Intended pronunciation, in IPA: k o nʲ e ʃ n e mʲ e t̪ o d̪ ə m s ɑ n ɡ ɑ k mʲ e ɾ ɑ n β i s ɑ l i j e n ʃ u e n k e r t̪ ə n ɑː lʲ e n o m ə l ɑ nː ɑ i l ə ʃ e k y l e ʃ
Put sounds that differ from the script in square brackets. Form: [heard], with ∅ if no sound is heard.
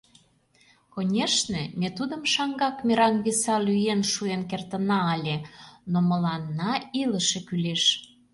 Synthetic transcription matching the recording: k o nʲ e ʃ n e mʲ e t̪ [u] d̪ ə m [ʃ] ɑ [ŋ] ɡ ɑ k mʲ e ɾ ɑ n β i s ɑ l [y] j e n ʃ u e n k e r t̪ ə n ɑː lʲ e n o m ə l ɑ nː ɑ i l ə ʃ e k y l e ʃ